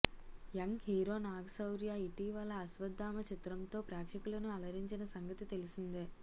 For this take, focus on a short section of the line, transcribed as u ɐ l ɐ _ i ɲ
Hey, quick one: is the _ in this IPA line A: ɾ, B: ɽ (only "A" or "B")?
A